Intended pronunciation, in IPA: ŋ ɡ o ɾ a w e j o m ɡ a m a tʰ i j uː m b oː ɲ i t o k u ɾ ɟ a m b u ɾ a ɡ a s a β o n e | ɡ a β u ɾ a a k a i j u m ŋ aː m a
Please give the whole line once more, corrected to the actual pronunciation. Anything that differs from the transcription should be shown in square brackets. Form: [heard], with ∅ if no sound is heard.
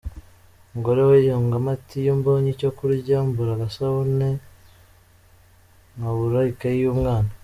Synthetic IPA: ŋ ɡ o ɾ [e] w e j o [ŋ] ɡ a m a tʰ i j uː m b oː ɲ i [c] o k u ɾ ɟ a m b u ɾ a ɡ a s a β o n e | [ŋ] a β u ɾ a [i] k a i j u m ŋ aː [n] a